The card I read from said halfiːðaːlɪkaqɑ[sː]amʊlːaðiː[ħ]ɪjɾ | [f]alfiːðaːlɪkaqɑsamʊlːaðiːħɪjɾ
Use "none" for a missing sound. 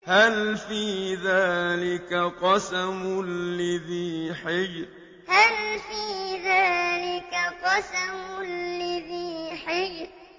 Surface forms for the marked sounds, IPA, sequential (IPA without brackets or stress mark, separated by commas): s, ħ, h